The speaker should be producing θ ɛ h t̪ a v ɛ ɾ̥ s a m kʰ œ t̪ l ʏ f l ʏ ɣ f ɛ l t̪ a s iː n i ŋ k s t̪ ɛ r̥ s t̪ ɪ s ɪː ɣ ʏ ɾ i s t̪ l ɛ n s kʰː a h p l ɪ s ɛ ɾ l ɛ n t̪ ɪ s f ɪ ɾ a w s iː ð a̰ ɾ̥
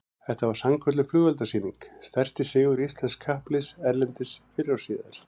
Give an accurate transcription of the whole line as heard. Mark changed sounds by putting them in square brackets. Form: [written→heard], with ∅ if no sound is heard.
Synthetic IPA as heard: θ ɛ h t̪ a v [ɛ→a] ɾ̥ s a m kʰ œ t̪ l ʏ f l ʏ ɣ [f→v] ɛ l t̪ a s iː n i ŋ k s t̪ ɛ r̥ s t̪ ɪ s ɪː ɣ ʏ ɾ i s t̪ l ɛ n s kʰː a h p l ɪ s ɛ ɾ l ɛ n t̪ ɪ s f ɪ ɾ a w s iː ð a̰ ɾ̥